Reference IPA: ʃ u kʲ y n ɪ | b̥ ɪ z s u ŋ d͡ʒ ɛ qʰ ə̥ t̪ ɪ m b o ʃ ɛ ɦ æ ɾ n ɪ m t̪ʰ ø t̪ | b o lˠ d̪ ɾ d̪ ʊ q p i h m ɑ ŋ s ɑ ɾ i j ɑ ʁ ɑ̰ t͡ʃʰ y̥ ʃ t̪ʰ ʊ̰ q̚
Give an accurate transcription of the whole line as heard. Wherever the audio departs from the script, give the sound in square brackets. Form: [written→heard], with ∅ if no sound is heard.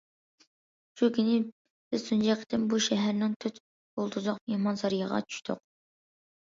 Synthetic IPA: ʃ u kʲ y n ɪ | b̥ ɪ z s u [ŋ→n] d͡ʒ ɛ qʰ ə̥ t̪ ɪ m b [o→u] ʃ ɛ ɦ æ ɾ n ɪ [m→ŋ] t̪ʰ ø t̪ | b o lˠ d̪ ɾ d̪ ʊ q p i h m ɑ [ŋ→n] s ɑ ɾ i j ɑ ʁ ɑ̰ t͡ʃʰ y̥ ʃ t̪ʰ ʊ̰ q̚